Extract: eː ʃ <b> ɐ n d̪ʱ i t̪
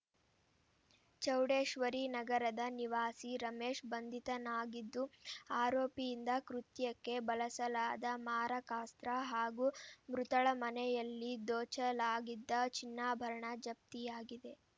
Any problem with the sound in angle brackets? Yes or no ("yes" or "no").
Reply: no